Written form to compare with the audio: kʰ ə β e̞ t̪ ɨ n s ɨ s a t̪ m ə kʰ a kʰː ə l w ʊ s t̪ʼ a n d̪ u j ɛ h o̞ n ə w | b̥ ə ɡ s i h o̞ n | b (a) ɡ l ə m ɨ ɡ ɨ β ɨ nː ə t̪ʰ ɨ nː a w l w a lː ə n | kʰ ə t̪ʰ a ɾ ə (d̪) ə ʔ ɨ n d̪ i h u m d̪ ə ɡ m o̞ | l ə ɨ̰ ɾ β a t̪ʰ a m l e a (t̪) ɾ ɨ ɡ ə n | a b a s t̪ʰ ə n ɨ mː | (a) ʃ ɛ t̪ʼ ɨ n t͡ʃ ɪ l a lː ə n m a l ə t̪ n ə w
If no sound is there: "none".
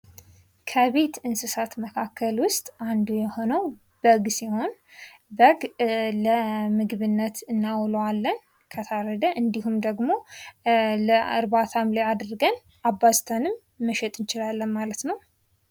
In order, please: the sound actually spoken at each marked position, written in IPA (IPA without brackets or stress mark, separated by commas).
ə, d̪, d̪, ə